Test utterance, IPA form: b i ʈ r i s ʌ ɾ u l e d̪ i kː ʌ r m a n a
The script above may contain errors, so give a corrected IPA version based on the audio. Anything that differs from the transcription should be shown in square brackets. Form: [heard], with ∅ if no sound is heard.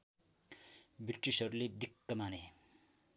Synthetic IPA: b i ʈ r i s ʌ ɾ u l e d̪ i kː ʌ [∅] m a n [e]

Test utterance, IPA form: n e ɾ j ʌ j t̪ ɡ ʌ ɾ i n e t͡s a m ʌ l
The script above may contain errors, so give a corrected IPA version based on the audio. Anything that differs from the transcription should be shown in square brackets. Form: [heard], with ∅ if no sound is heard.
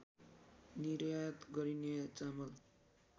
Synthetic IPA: n [i] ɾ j [a] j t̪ ɡ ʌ ɾ i n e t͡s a m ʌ l

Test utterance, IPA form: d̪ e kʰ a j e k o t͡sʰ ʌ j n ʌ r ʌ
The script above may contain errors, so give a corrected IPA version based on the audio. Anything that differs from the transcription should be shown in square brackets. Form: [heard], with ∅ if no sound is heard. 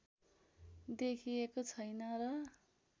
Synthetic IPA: d̪ e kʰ [i] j e k o t͡sʰ ʌ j n ʌ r ʌ

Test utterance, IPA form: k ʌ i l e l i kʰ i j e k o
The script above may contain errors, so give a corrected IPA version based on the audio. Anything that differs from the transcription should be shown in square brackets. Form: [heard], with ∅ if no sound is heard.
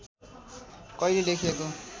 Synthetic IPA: k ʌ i l e l [e] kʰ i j e k o

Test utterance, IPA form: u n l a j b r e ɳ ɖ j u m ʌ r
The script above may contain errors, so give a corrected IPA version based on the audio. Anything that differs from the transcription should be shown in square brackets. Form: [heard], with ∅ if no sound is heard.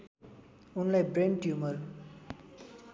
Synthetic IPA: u n l a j b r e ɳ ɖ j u m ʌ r

